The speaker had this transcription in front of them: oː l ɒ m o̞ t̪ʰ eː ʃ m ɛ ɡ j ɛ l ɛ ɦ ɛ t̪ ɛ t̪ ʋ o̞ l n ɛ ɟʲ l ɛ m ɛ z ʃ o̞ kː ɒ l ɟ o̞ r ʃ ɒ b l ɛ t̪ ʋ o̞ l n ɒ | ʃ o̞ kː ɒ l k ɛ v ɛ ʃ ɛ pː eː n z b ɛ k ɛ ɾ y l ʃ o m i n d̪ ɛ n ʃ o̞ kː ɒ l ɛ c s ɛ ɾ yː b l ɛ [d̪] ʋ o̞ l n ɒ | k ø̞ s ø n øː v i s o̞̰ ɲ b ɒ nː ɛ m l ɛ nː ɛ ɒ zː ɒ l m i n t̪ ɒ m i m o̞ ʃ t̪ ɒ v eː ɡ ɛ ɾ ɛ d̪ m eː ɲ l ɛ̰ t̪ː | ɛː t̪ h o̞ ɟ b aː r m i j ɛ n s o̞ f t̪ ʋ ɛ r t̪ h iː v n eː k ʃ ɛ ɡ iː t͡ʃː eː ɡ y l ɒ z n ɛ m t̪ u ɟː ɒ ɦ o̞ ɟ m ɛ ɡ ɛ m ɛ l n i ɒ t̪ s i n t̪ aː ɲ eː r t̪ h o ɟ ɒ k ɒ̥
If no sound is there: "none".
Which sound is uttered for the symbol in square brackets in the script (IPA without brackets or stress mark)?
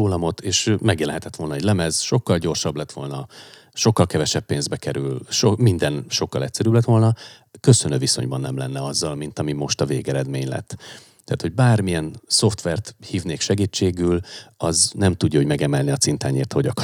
t̪